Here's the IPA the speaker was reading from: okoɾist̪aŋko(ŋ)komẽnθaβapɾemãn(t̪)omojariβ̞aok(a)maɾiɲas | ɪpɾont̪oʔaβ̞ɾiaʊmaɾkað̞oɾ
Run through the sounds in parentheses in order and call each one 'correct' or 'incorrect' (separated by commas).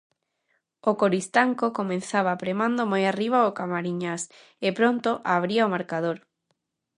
incorrect, incorrect, correct